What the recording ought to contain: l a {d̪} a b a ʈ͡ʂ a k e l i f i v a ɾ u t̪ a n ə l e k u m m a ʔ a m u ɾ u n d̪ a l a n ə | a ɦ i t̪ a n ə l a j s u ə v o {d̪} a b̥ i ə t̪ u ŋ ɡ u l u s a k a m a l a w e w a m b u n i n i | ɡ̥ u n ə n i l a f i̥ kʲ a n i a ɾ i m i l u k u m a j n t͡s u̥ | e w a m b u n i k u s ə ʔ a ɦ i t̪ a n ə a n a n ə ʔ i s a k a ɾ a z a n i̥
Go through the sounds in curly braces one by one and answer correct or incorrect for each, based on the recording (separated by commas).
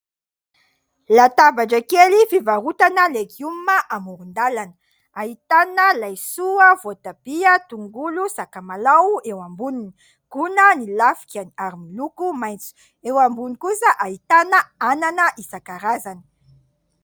incorrect, incorrect